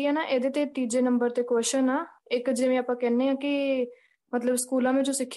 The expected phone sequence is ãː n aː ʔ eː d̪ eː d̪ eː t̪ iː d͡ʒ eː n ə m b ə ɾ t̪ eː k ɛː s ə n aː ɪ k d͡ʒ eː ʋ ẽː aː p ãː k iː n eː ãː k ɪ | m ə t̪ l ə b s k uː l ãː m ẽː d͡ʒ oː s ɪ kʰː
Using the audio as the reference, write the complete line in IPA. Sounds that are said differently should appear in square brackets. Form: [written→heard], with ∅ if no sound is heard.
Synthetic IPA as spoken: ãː n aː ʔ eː d̪ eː [d̪→t̪] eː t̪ iː d͡ʒ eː n ə m b ə ɾ t̪ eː k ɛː [s→ʃ] ə n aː ɪ k d͡ʒ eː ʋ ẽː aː p ãː k [iː→ɛː] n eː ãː k ɪ | m ə t̪ l ə b s k uː l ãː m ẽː d͡ʒ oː s ɪ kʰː